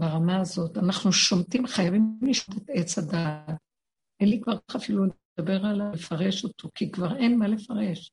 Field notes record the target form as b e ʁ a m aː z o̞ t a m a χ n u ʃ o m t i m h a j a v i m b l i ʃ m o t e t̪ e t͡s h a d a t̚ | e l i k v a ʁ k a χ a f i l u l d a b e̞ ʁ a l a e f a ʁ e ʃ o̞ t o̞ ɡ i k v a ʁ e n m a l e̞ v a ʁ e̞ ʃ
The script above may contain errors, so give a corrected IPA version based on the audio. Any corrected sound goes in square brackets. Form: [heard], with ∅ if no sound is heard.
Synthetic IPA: b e ʁ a m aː z o̞ t a [n] a χ n u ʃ o m t i m [χ] a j a v i m [m] l i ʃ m o t e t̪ e t͡s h a d a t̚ | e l i k v a ʁ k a χ a f i l u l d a b e̞ ʁ a l a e f a ʁ e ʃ o̞ t o̞ [k] i k v a ʁ e n m a l e̞ [f] a ʁ e̞ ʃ